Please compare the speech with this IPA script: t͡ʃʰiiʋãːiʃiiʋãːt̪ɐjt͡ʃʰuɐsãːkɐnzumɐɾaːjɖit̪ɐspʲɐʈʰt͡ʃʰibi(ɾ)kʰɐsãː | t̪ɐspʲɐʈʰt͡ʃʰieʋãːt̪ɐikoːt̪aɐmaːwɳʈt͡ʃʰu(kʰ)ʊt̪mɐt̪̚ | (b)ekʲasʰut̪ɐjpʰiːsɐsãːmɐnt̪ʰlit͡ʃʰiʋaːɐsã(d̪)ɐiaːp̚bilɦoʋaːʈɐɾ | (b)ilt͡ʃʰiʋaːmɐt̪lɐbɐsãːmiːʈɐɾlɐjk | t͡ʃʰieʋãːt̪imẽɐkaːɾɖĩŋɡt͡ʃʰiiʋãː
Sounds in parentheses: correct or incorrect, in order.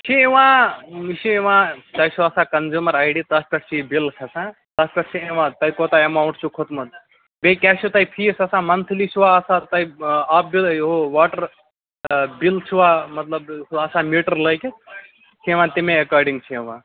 incorrect: l, correct, correct, incorrect: t̪, correct

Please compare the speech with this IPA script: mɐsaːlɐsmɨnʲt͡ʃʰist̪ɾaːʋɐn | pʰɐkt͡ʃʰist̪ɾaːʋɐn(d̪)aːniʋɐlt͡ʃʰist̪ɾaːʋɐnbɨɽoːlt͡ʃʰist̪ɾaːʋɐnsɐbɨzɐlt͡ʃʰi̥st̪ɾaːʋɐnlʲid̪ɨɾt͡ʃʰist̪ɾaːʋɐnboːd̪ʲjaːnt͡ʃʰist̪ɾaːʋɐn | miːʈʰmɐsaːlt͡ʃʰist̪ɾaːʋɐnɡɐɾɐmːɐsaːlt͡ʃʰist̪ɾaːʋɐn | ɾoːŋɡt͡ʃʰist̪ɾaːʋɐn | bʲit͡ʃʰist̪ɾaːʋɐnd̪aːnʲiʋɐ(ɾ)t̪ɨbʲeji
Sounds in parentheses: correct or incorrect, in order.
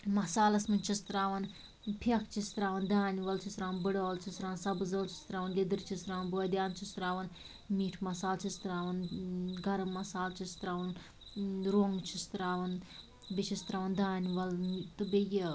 correct, incorrect: l

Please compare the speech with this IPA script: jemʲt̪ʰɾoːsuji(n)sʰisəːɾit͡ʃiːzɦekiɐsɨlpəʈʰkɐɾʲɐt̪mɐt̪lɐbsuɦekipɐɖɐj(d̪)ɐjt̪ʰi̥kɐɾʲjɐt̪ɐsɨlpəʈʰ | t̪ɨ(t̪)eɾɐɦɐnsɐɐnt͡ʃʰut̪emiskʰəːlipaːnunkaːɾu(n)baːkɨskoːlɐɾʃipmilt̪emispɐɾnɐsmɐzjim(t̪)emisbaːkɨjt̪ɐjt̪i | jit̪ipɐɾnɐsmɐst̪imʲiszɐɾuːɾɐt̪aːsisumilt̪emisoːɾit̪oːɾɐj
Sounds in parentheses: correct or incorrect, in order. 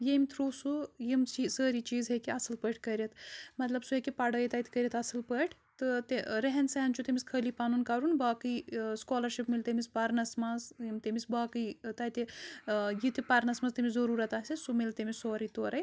incorrect: m, incorrect: t̪, correct, correct, correct

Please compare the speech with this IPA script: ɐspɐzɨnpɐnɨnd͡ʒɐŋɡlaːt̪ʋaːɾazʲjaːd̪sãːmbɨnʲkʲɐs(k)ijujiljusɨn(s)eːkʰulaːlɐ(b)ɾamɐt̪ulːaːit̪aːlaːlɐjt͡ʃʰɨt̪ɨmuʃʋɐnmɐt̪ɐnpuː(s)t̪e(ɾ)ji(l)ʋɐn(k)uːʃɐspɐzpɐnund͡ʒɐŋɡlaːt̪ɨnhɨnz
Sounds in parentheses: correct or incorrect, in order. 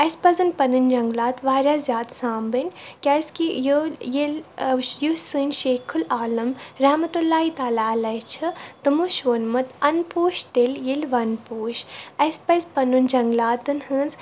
correct, incorrect: ʃ, incorrect: m, incorrect: ʃ, incorrect: l, correct, incorrect: p

